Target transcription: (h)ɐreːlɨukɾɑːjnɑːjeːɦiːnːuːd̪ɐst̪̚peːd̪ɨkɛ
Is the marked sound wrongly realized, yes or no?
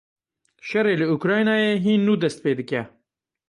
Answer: yes